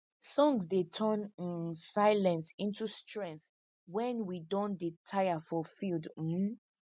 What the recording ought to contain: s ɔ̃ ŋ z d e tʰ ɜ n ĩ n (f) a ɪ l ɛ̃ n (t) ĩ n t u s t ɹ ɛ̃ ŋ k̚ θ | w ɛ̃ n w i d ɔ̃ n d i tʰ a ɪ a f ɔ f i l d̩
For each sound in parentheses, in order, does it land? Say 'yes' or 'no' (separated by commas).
no, no